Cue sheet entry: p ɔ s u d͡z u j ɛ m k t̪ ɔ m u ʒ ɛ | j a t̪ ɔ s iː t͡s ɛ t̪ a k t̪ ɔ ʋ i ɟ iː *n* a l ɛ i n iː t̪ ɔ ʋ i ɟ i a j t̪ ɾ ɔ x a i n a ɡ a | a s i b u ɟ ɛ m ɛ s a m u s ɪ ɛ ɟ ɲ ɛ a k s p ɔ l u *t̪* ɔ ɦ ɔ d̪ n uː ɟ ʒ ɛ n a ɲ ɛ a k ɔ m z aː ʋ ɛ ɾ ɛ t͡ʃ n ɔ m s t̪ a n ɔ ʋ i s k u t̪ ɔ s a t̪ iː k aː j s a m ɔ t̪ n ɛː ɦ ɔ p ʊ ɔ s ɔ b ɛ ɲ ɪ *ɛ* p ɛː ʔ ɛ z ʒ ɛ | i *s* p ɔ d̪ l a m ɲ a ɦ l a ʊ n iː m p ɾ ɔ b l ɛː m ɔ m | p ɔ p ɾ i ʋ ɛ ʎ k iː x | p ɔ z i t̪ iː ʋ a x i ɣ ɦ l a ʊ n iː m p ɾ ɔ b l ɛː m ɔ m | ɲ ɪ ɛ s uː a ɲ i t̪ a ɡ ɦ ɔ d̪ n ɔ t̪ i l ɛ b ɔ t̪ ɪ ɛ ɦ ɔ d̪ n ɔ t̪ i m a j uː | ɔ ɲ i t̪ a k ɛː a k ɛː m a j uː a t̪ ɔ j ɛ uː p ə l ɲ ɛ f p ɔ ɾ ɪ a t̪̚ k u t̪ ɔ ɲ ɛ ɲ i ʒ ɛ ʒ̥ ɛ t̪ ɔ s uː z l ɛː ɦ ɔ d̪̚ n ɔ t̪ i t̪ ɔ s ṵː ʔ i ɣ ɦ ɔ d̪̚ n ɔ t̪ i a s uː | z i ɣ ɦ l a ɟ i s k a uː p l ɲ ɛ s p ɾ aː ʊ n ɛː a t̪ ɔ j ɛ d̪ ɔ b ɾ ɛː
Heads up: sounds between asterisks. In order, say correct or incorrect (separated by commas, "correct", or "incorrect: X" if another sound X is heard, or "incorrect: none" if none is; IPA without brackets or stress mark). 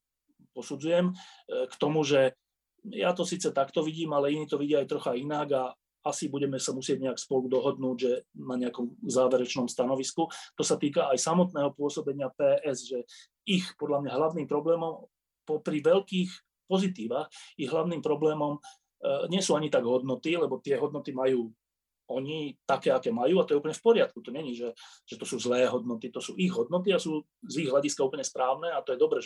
incorrect: m, incorrect: d̪, incorrect: a, incorrect: x